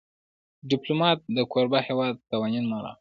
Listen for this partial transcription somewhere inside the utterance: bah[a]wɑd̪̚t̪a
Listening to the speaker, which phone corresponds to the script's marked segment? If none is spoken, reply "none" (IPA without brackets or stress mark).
e